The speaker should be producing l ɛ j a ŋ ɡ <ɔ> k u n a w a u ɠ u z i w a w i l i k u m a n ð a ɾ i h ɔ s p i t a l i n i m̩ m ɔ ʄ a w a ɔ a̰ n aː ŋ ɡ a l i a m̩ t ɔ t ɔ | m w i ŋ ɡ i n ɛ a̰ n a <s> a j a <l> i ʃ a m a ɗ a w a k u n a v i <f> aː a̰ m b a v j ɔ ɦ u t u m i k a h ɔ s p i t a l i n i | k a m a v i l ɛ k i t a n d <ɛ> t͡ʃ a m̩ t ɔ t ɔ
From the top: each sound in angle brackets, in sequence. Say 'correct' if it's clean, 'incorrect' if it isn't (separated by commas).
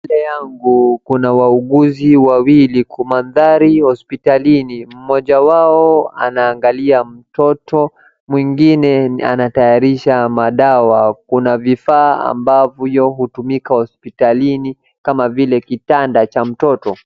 incorrect, incorrect, incorrect, correct, incorrect